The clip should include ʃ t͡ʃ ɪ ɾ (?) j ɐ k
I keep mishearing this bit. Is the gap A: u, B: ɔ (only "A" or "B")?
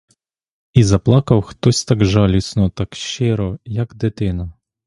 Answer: B